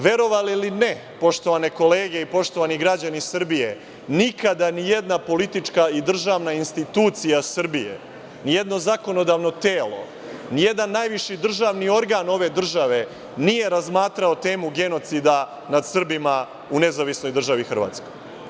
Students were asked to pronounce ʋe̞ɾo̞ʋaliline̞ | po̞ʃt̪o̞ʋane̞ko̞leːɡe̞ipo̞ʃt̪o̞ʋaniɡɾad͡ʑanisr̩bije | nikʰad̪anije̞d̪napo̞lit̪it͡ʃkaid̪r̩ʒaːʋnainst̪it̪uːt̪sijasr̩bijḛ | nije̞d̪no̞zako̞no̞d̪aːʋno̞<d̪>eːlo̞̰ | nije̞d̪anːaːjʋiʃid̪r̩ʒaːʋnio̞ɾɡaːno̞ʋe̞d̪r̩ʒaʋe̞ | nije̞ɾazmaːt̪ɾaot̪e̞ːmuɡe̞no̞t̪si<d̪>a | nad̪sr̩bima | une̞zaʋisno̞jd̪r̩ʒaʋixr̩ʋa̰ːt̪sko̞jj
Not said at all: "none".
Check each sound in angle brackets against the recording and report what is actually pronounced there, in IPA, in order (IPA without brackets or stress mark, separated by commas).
t̪, d̪